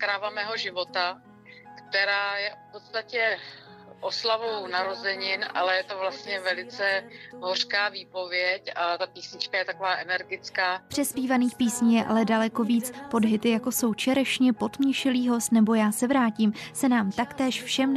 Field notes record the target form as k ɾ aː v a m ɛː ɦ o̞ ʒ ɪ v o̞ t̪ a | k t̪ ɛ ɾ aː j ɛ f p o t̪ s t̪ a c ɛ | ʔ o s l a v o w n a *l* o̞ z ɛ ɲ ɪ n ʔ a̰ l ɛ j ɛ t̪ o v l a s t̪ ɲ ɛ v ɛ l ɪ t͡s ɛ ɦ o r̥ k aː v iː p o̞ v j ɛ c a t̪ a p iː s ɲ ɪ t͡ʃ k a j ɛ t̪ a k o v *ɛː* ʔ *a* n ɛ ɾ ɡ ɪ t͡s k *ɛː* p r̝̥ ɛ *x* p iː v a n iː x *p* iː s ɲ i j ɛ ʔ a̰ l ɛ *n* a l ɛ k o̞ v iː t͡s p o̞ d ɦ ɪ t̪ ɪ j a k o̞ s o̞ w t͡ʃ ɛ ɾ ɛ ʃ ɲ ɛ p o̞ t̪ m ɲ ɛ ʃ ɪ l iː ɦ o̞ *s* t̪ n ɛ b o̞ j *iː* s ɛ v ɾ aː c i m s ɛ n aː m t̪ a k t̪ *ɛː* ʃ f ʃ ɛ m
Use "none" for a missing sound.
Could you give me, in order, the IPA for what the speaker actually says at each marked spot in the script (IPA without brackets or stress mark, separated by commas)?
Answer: ɾ, aː, ɛ, aː, s, p, d, s, aː, ɛː